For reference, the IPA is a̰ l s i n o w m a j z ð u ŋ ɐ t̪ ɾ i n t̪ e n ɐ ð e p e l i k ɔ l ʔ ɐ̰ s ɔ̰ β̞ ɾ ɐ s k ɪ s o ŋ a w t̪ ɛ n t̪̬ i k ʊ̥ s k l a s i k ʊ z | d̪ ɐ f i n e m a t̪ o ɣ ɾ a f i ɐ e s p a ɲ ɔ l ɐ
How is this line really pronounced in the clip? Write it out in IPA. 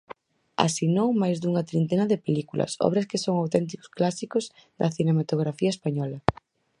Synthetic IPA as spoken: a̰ s i n o w m a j z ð u ŋ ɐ t̪ ɾ i n t̪ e n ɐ ð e p e l i k u l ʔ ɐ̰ s ɔ̰ β̞ ɾ ɐ s k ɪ s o ŋ a w t̪ ɛ n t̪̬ i k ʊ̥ s k l a s i k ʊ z | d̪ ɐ θ i n e m a t̪ o ɣ ɾ a f i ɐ e s p a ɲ ɔ l ɐ